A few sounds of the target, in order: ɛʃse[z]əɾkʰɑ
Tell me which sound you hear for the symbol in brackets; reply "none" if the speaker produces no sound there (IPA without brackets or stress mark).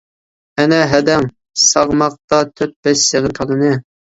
ʁ